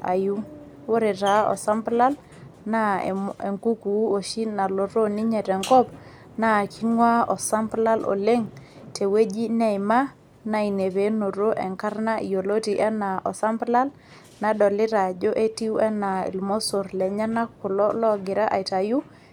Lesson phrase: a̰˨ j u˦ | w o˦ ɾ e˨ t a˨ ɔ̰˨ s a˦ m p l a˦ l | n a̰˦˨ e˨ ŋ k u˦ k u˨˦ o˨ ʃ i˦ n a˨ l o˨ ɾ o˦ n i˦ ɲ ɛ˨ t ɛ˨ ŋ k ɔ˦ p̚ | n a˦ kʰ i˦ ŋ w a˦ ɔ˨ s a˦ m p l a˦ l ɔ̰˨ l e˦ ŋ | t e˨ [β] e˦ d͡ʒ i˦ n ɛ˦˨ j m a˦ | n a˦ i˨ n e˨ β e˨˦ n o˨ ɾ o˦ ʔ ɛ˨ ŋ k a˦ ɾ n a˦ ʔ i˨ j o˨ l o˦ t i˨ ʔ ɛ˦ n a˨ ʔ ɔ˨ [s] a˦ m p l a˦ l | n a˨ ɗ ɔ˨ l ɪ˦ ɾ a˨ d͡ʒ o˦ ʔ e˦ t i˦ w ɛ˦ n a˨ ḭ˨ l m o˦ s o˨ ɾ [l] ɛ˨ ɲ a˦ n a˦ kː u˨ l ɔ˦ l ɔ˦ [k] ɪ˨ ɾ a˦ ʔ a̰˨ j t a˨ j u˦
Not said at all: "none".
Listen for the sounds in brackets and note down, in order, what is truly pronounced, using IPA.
w, s, l, ɡ

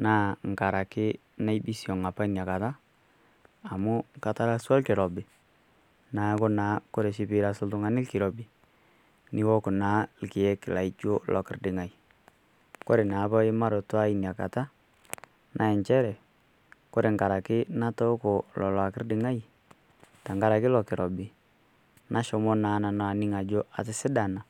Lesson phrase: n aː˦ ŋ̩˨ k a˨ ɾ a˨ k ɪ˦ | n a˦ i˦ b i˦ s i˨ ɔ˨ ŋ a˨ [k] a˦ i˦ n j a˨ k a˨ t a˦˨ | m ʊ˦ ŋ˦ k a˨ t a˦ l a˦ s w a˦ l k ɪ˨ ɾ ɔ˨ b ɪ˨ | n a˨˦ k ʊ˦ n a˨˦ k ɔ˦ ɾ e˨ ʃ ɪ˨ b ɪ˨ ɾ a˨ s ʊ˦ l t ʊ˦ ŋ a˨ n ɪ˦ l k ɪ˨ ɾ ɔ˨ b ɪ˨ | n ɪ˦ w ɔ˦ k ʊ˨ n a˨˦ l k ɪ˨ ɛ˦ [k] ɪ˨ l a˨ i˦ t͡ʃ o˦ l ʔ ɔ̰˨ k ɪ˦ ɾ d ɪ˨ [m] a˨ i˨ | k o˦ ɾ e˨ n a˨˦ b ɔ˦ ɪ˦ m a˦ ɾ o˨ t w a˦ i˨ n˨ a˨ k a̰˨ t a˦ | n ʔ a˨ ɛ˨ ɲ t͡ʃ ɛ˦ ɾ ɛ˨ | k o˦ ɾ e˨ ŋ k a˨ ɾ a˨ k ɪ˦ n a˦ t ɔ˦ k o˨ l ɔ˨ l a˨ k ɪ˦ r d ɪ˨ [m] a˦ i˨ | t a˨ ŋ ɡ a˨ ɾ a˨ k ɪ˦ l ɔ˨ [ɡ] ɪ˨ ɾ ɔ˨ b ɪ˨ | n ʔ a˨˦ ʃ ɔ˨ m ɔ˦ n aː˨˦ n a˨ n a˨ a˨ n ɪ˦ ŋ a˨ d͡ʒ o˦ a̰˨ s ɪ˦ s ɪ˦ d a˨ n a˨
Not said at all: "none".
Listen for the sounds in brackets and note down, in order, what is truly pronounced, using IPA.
p, k, ŋ, ŋ, k

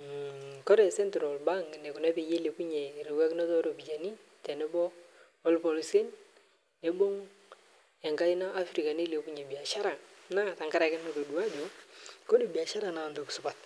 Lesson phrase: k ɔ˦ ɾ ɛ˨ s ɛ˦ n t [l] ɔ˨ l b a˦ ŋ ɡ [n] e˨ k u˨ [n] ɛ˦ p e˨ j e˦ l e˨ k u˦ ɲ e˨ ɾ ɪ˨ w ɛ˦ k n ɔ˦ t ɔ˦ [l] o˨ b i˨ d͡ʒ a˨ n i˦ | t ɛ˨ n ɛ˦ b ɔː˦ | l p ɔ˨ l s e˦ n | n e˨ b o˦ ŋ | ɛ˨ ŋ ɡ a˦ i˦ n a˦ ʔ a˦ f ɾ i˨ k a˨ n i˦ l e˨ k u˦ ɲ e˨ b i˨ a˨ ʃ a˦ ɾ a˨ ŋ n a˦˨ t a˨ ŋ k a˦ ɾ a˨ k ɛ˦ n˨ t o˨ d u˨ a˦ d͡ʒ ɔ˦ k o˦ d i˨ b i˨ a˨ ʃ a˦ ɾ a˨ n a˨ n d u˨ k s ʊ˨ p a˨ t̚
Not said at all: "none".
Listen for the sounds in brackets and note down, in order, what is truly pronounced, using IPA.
ɾ, n, n, ɾ

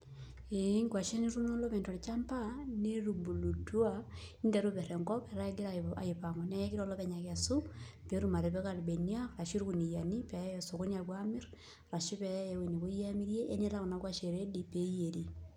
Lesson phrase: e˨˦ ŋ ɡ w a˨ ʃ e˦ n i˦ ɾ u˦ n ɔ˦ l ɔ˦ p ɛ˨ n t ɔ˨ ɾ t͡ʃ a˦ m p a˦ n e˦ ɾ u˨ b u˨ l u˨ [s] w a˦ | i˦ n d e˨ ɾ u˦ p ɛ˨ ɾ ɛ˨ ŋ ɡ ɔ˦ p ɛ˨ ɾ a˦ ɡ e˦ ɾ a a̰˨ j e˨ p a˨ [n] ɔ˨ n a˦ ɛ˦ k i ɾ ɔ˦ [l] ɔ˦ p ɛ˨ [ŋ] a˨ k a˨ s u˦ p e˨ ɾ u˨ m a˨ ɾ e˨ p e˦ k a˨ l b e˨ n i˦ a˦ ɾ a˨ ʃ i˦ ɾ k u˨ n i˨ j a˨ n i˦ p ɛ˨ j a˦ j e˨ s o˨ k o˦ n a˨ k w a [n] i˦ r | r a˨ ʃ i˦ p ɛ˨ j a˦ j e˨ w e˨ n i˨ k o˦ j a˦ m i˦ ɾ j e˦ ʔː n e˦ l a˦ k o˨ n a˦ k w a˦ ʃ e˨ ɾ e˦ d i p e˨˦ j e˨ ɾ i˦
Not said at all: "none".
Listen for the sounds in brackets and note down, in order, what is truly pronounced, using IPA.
t, ŋ, l, ɲ, m

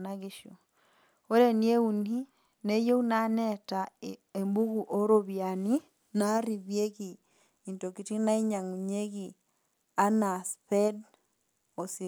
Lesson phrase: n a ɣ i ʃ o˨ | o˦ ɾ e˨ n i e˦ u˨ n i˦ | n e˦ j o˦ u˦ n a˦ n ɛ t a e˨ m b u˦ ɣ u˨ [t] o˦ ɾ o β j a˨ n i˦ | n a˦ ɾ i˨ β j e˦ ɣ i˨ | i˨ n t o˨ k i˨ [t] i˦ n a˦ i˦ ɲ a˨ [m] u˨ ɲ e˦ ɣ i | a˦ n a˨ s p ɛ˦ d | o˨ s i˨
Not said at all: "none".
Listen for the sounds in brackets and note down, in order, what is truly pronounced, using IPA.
ʔ, t, ŋ

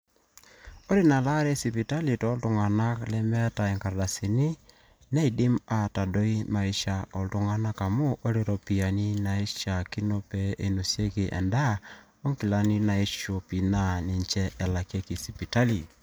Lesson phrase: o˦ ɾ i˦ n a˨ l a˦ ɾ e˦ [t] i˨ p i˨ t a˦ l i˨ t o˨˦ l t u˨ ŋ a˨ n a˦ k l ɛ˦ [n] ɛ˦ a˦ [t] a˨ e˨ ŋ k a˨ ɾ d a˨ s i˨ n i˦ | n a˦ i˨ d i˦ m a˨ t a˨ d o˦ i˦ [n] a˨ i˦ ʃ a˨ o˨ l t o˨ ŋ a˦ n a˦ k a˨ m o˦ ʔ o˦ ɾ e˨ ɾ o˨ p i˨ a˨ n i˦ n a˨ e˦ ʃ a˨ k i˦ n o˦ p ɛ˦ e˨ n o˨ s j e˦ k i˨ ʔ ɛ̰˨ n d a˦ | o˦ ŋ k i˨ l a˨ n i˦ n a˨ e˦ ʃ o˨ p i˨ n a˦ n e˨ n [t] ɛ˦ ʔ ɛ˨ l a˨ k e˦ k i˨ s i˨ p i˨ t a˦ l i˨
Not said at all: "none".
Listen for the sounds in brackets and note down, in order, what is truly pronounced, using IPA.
s, m, t, m, t͡ʃ

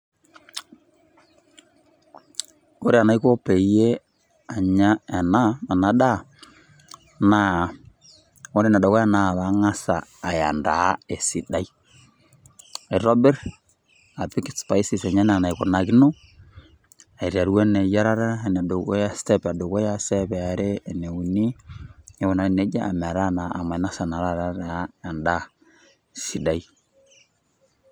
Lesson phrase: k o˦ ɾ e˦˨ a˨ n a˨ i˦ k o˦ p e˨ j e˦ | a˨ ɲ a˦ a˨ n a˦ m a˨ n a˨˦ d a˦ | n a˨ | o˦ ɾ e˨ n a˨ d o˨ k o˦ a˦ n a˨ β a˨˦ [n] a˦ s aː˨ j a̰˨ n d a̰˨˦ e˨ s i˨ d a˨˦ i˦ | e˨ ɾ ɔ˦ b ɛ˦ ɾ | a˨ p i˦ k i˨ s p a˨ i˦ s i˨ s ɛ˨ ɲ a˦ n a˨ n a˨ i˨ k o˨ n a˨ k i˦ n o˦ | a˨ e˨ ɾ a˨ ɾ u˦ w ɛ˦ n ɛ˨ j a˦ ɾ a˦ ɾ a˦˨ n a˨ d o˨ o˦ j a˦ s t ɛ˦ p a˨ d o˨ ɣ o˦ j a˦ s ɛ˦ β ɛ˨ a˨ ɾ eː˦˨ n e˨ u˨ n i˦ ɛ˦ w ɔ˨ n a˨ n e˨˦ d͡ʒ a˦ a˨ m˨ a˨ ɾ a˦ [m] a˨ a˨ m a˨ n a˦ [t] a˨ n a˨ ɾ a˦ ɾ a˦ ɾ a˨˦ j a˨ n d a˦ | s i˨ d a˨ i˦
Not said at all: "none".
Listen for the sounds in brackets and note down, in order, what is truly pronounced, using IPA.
ŋ, n, s

